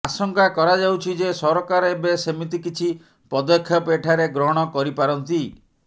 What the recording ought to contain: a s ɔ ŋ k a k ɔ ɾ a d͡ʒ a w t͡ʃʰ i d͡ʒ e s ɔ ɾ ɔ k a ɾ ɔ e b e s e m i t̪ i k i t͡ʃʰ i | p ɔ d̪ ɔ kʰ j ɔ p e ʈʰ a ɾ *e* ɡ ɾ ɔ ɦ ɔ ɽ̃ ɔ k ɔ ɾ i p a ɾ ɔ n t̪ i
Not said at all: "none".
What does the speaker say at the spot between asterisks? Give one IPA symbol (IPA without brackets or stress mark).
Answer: e